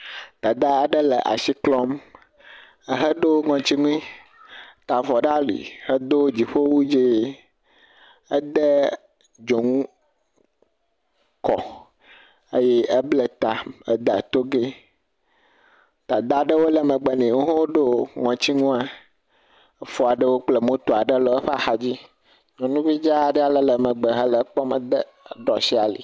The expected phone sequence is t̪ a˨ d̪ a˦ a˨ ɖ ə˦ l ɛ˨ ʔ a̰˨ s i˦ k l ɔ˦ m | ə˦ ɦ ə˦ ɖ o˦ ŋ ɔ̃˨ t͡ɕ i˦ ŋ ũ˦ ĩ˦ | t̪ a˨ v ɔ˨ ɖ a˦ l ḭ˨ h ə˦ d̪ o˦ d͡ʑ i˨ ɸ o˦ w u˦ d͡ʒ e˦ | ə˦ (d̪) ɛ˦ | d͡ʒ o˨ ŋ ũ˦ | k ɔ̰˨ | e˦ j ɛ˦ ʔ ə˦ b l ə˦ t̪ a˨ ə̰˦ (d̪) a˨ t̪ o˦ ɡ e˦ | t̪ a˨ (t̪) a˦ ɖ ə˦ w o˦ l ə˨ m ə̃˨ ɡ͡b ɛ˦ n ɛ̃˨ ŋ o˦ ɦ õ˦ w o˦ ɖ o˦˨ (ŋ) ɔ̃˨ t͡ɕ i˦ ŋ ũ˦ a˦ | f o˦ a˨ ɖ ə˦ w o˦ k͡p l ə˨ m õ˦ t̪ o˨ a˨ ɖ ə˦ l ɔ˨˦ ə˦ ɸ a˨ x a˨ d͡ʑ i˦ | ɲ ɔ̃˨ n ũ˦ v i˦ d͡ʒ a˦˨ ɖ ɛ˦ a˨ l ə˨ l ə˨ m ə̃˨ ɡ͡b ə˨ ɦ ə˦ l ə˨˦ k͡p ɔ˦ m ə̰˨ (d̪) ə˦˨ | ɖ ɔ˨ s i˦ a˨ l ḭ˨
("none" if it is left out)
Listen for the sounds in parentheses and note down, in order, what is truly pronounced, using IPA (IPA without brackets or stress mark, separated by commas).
d̪, d̪, d̪, ŋ, d̪